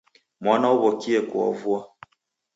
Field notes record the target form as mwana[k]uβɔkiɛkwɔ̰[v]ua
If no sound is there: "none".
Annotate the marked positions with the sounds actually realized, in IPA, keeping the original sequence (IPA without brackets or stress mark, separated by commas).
none, v